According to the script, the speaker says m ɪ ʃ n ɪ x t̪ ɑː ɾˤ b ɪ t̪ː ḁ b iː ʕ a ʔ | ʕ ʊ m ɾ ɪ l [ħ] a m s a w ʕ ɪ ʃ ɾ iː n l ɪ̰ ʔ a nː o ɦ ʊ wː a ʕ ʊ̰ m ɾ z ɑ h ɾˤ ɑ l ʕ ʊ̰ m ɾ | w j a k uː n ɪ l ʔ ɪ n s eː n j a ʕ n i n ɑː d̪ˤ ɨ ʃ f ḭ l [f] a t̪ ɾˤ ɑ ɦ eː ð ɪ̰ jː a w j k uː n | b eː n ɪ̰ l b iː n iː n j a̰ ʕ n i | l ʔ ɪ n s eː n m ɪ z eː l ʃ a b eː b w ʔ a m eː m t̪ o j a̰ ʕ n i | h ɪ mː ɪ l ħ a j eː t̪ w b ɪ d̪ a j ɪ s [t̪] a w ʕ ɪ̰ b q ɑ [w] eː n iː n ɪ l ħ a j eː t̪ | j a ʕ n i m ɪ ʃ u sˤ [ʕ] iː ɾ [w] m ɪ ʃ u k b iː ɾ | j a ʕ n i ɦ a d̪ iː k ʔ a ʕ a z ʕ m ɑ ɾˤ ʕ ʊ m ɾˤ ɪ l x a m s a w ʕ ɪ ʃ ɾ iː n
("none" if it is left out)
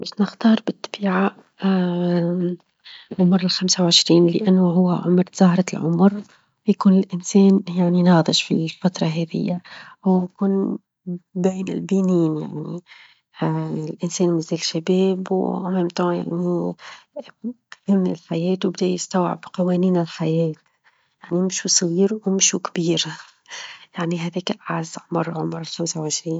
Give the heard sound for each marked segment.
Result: x, f, t̪, w, ɣ, w

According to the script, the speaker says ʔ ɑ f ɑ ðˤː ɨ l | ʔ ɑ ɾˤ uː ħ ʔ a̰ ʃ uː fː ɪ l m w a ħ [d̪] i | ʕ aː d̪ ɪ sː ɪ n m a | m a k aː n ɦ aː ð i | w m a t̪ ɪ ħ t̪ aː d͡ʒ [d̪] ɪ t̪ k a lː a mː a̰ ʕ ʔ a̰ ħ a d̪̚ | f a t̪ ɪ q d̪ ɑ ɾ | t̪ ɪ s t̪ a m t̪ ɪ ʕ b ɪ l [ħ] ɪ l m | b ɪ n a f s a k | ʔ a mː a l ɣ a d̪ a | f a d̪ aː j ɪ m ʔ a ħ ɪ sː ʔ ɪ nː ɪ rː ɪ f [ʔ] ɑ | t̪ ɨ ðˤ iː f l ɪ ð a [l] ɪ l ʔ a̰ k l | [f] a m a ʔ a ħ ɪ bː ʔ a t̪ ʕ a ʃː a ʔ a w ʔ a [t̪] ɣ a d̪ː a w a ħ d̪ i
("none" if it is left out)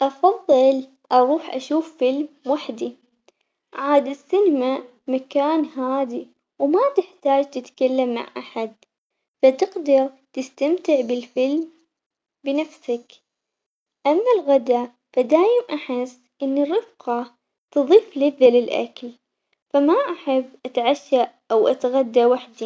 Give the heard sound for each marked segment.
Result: d̪, t̪, f, q, l, f, t̪

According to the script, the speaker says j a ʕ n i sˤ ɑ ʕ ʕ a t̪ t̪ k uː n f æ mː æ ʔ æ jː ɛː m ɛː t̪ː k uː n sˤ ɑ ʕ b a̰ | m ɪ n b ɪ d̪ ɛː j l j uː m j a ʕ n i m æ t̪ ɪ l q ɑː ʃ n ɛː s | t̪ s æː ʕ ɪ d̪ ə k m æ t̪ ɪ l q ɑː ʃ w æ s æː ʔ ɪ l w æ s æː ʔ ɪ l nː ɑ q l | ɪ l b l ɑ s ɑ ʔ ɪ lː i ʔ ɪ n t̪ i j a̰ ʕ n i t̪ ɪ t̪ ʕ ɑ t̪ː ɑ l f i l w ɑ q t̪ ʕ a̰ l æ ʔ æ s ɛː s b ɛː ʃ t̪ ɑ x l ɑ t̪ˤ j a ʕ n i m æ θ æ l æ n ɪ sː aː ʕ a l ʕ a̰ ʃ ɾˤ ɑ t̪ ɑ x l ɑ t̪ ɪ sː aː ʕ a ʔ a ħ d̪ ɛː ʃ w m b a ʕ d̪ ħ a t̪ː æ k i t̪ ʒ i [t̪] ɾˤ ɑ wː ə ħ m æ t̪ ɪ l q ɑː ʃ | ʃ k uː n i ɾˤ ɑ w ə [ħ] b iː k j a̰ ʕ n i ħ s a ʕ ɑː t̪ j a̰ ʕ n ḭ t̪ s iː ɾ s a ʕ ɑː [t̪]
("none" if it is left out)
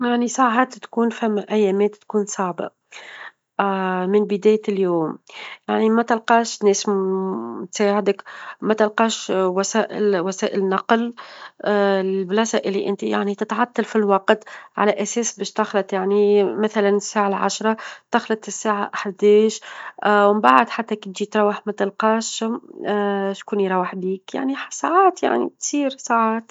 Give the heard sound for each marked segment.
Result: t̪, ħ, t̪

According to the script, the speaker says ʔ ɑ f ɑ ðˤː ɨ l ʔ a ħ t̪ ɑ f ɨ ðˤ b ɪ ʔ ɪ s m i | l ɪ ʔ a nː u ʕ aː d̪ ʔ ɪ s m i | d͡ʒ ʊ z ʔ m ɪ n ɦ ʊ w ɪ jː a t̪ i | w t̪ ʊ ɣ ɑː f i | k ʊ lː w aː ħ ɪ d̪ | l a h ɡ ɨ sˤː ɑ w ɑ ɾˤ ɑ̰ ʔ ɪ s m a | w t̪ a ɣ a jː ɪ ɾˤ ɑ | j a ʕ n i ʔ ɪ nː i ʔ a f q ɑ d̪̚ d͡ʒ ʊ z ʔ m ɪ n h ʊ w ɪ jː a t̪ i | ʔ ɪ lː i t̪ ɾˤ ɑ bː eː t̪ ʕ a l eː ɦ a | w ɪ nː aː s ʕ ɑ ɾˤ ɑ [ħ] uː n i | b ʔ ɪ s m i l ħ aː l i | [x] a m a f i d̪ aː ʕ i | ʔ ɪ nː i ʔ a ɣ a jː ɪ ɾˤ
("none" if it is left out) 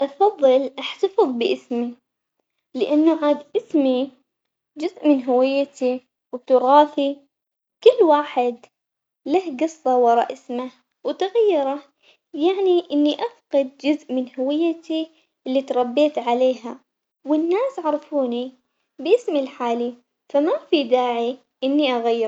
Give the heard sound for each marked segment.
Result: f, f

